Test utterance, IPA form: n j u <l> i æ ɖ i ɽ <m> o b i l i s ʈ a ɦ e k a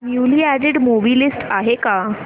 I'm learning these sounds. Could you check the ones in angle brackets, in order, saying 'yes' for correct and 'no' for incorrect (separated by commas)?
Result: yes, yes